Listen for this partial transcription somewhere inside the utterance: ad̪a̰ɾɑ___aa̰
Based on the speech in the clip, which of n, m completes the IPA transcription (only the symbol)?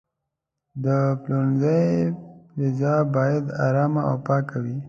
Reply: m